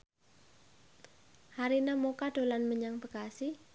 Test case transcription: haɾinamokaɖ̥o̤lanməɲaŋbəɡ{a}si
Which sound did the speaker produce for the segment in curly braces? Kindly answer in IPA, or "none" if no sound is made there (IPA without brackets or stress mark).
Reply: a